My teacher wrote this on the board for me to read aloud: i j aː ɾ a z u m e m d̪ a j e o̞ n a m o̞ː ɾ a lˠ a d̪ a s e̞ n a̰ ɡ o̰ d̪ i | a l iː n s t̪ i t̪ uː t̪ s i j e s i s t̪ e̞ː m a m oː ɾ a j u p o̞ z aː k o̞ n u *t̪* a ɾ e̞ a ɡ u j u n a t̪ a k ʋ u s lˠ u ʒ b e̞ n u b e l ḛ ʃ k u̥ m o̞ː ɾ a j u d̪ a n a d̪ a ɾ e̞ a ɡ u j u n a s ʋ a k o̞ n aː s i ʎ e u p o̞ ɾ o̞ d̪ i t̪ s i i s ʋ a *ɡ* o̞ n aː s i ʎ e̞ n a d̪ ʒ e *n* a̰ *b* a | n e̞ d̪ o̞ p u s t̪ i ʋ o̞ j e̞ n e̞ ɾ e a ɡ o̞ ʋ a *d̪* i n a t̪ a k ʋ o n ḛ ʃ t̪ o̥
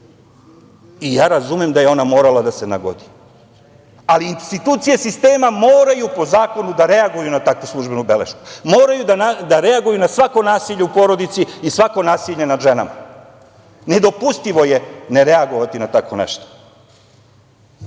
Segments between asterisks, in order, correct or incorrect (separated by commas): incorrect, incorrect, correct, incorrect, incorrect